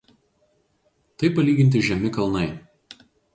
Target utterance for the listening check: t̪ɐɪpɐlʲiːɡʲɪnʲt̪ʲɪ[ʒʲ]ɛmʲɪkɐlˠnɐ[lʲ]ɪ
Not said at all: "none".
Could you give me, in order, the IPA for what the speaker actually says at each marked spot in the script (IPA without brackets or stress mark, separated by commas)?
ʒʲ, none